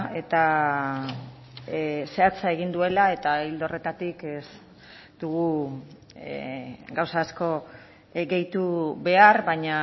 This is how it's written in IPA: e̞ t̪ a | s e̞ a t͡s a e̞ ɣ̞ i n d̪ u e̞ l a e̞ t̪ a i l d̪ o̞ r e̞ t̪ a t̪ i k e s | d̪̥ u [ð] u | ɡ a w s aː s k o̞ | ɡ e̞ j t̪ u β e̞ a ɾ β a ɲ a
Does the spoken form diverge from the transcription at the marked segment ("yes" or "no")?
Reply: yes